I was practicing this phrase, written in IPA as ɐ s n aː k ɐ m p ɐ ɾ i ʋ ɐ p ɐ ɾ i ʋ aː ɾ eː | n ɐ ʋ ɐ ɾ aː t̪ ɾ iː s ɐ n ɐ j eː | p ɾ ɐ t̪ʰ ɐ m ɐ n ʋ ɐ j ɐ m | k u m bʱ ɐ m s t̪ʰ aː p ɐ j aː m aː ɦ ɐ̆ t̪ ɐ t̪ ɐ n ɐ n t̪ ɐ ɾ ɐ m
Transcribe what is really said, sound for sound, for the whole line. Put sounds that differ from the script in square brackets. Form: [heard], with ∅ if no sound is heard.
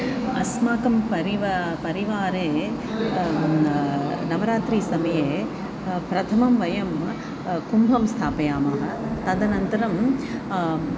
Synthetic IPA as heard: ɐ s [m] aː k ɐ m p ɐ ɾ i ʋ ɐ p ɐ ɾ i ʋ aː ɾ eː | n ɐ ʋ ɐ ɾ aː t̪ ɾ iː s ɐ [m] ɐ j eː | p ɾ ɐ t̪ʰ ɐ m ɐ [m] ʋ ɐ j ɐ m | k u m bʱ ɐ m s t̪ʰ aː p ɐ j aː m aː ɦ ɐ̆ t̪ ɐ [d̪] ɐ n ɐ n t̪ ɐ ɾ ɐ m